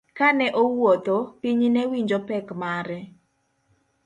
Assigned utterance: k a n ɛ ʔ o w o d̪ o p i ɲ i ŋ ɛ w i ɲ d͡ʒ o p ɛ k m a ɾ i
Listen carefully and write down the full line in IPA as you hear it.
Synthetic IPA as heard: k a n ɛ ʔ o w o t̪ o p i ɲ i n ɛ w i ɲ d͡ʒ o p ɛ k m a ɾ ɛ